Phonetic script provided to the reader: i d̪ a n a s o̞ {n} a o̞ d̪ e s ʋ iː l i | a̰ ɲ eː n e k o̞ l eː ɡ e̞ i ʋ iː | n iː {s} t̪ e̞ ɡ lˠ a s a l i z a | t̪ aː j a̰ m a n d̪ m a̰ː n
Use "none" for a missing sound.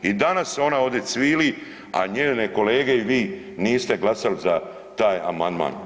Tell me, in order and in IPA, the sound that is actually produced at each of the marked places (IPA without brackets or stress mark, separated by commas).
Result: n, s